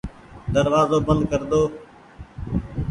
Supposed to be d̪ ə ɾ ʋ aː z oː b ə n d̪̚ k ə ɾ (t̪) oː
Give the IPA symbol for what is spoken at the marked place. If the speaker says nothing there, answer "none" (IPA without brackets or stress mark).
d̪